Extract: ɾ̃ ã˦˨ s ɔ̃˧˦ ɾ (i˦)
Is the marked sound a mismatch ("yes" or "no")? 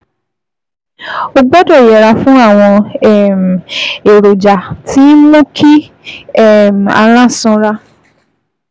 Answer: yes